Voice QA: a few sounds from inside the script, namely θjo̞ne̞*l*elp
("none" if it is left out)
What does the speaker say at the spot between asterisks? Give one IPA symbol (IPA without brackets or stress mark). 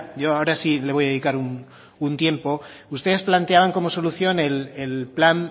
l